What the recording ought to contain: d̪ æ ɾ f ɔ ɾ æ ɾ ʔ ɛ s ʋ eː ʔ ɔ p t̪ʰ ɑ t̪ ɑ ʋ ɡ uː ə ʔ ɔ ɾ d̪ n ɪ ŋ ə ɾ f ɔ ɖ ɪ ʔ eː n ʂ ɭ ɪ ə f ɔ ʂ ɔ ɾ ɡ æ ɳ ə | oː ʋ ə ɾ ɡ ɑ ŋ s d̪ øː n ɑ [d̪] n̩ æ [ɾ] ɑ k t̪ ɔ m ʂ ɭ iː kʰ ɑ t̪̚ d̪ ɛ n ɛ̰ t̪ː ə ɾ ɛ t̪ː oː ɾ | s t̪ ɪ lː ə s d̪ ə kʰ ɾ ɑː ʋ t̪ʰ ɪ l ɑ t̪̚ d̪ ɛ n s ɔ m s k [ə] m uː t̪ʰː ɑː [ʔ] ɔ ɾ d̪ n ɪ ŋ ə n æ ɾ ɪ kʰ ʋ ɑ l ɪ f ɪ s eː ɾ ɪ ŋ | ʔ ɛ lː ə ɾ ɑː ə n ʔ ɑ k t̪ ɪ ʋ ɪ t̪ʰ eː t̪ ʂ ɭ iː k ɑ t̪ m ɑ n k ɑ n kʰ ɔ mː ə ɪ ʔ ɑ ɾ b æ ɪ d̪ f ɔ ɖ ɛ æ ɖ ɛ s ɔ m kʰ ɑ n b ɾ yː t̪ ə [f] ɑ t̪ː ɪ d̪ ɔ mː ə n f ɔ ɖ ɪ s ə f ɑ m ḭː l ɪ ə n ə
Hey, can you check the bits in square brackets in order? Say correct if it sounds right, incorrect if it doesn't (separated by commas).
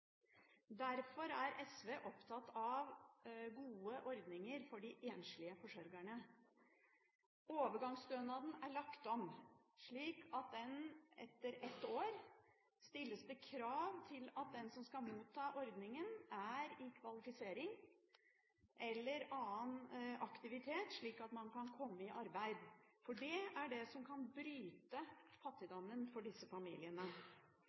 correct, incorrect, incorrect, correct, correct